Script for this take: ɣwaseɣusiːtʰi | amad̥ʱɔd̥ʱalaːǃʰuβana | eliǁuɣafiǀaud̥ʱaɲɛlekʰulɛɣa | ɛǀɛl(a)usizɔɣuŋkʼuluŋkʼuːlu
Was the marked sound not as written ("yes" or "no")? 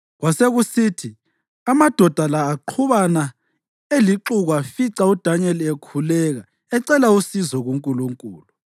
no